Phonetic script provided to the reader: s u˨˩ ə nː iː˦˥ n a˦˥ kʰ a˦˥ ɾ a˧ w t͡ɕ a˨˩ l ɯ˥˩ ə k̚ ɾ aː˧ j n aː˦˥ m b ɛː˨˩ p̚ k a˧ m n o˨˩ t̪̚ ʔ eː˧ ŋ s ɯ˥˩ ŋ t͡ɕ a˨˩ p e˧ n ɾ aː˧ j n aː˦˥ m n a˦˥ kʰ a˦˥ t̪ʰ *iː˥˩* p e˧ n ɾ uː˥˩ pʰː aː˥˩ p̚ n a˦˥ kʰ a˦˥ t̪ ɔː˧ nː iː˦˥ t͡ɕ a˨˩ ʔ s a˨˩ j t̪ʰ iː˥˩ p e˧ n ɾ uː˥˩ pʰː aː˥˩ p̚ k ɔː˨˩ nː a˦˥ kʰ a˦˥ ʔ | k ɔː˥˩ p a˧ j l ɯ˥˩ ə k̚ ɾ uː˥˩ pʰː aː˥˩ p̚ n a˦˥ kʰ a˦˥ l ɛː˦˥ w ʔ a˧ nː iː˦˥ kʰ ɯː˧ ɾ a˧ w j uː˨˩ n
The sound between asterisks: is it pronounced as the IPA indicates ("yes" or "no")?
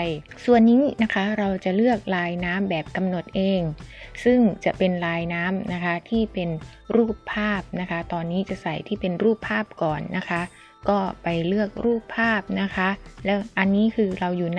yes